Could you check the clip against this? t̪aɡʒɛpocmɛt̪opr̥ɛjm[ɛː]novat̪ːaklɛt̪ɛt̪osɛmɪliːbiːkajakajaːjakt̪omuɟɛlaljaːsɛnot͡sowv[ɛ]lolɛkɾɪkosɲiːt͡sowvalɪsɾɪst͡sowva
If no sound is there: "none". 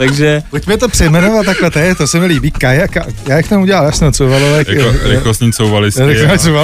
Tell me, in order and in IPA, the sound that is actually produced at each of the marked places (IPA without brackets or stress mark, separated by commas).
ɛ, a